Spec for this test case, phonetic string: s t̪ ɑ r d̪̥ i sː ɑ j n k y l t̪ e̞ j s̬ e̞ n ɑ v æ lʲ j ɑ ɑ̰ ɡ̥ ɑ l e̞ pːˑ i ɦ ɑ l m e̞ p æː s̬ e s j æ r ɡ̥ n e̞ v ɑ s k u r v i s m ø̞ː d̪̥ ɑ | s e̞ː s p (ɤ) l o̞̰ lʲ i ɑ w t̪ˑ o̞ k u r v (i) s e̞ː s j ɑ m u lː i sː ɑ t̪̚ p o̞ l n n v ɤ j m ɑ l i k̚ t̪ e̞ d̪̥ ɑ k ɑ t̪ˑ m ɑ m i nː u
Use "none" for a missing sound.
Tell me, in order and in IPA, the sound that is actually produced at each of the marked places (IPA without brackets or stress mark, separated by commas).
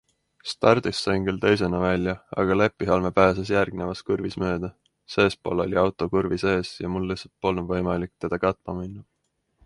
o, i